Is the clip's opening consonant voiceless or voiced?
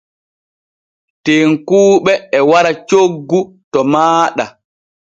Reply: voiceless